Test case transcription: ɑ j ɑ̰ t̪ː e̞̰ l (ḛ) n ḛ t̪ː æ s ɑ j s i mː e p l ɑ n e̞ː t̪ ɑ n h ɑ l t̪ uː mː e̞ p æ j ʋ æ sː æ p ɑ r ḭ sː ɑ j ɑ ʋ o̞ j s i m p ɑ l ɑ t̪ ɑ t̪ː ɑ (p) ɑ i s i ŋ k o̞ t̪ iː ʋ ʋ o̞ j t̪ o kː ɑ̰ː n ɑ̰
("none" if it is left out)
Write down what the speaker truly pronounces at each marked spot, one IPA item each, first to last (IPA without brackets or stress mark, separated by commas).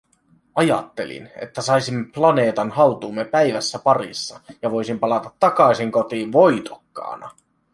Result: ḭ, k